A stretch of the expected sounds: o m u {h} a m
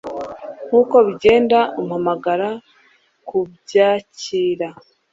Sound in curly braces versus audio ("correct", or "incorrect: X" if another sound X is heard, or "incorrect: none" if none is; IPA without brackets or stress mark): correct